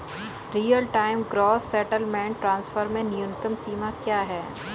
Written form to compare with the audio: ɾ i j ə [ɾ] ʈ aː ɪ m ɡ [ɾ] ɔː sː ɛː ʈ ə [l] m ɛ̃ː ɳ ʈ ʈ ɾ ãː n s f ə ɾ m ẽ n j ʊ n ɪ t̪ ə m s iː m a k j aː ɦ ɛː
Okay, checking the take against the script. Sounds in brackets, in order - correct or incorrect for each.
incorrect: l, correct, correct

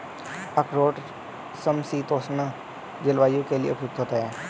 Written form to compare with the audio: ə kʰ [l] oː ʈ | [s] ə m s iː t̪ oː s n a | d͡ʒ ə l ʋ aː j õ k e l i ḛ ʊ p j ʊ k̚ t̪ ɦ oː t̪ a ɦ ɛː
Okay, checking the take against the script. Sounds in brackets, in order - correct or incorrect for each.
incorrect: ɾ, correct

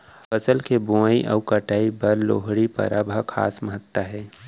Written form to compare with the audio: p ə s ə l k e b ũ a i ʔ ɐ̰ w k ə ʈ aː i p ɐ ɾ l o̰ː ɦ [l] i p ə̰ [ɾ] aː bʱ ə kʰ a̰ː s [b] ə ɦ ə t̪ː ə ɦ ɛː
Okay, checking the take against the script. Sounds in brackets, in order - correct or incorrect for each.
incorrect: ɽ, correct, incorrect: m

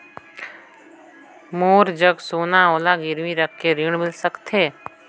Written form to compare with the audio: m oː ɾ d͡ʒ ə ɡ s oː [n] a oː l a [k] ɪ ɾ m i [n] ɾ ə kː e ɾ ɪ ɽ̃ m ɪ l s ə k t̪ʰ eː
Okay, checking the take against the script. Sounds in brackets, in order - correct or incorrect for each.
correct, incorrect: ɡ, incorrect: none

